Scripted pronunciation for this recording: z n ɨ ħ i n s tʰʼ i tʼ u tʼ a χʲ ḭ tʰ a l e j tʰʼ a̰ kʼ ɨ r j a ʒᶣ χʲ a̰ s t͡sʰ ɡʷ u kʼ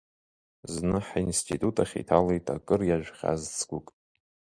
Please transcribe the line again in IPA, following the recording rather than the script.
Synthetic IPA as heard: z n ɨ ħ i n s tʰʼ i tʼ u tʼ a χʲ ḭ tʰ a l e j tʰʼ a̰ kʼ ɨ r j a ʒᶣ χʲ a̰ z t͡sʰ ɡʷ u kʼ